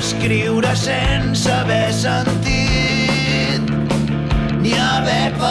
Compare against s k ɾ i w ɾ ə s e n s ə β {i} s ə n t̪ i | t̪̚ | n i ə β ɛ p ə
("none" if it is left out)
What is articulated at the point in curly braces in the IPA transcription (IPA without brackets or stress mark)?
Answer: ɛ